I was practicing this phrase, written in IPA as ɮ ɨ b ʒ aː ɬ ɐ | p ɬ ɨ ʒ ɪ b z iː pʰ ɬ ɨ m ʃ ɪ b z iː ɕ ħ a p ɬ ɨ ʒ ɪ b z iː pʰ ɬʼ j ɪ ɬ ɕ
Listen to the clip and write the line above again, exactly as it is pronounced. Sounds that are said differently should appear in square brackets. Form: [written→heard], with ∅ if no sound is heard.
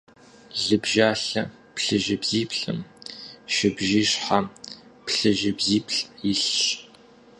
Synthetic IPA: ɮ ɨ b ʒ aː ɬ ɐ | p ɬ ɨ ʒ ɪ b z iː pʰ ɬ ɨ m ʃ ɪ b [z→ʒ] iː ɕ ħ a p ɬ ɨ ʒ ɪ b z iː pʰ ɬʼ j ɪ ɬ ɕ